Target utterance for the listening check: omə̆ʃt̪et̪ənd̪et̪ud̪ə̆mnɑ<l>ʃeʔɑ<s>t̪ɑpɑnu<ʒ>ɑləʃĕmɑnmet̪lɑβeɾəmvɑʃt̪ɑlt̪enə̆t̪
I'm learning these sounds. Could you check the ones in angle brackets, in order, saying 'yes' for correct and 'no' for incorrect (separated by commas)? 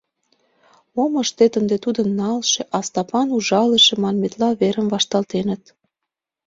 yes, yes, yes